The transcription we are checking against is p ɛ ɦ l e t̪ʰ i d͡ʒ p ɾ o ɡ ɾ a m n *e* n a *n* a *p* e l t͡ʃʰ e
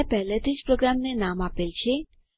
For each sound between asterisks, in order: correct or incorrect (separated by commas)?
correct, incorrect, correct